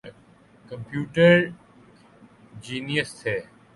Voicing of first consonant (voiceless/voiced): voiceless